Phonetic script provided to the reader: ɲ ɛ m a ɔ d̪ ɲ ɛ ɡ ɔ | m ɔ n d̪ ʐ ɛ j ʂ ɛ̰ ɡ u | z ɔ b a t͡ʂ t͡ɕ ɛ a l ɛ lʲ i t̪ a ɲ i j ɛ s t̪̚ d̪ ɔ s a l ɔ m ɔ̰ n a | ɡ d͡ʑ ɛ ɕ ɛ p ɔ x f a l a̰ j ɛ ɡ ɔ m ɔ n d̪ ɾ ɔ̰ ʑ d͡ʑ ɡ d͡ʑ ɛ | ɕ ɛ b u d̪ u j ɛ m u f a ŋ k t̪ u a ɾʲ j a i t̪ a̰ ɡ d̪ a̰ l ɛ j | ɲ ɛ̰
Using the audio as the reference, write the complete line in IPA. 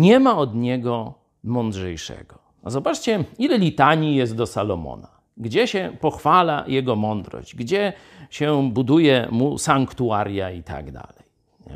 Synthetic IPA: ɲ ɛ m a ɔ d̪ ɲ ɛ ɡ ɔ | m ɔ n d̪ ʐ ɛ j ʂ ɛ̰ ɡ ɔ | z ɔ b a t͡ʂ t͡ɕ ɛ i l ɛ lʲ i t̪ a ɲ i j ɛ s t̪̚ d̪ ɔ s a l ɔ m ɔ̰ n a | ɡ d͡ʑ ɛ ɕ ɛ p ɔ x f a l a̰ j ɛ ɡ ɔ m ɔ n d̪ ɾ ɔ̰ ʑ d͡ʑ ɡ d͡ʑ ɛ | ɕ ɛ b u d̪ u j ɛ m u s a ŋ k t̪ u a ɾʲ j a i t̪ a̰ ɡ d̪ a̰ l ɛ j | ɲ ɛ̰